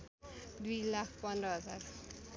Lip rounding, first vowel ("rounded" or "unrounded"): rounded